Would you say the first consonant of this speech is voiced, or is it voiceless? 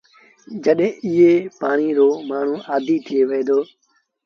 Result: voiced